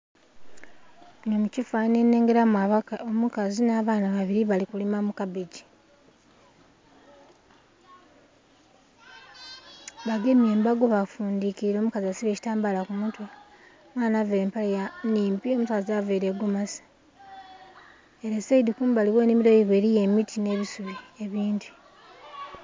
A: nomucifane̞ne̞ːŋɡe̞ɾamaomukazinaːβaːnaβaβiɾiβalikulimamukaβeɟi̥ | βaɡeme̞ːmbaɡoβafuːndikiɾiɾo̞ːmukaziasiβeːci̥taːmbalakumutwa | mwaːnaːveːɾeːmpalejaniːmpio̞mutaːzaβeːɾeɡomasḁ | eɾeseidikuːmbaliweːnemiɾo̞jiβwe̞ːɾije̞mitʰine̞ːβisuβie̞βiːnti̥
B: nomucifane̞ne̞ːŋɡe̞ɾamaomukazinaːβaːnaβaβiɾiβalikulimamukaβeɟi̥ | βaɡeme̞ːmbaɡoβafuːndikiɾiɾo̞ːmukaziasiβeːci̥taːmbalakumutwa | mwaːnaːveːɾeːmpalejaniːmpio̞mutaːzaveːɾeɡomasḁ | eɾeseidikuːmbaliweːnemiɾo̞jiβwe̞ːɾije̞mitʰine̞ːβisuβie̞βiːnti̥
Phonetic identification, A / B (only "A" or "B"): B